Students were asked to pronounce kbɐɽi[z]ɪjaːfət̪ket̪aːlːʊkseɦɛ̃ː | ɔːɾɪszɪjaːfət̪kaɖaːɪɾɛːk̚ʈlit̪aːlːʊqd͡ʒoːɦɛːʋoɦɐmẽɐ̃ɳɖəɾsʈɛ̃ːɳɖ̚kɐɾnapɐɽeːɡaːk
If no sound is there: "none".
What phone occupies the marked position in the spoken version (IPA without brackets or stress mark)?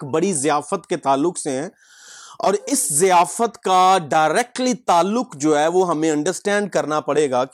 z